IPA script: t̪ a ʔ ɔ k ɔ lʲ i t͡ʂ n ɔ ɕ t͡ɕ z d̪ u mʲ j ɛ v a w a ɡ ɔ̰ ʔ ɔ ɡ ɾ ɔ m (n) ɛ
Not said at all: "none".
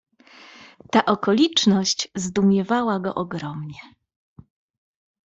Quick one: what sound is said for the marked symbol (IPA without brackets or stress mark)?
ɲ